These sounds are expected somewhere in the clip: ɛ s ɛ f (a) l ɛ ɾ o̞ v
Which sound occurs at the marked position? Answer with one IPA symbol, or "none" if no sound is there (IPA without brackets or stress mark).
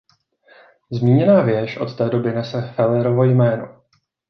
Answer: ɛ